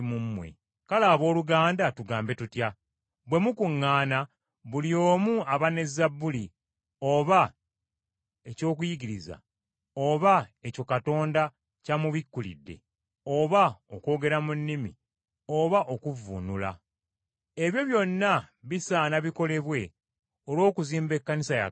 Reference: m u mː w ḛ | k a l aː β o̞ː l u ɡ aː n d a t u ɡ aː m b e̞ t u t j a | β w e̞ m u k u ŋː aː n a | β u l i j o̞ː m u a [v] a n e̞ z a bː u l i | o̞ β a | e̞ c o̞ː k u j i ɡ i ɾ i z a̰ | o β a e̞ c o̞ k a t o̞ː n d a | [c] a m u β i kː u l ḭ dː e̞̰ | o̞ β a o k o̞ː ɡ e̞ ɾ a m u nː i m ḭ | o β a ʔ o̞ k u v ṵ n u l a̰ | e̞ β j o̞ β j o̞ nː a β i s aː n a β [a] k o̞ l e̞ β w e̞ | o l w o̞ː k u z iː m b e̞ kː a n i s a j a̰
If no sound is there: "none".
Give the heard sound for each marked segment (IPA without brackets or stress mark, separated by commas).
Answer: β, c, i